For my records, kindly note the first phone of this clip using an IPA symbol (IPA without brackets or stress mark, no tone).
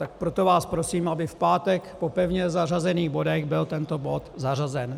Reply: t̪